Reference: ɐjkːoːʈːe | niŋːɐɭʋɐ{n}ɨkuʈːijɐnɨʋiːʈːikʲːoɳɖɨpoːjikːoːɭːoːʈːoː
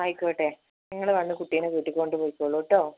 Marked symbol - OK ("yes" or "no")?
no